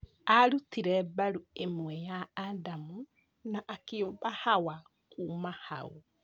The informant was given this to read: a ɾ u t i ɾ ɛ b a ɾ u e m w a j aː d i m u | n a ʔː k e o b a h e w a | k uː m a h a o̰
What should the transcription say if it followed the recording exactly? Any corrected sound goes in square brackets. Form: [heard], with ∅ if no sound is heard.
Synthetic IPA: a ɾ u t i ɾ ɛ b a ɾ u e m w [ɛ] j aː d [a] m u | n a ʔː k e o b a h [a] w a | k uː m a h a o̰